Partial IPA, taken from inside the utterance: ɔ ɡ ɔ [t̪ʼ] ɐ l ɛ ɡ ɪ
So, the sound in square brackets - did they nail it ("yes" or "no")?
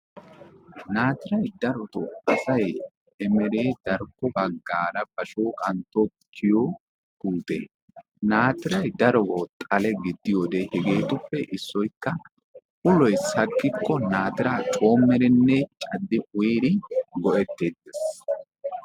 yes